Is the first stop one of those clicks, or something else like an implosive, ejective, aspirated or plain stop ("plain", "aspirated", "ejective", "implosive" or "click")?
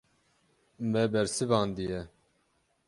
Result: plain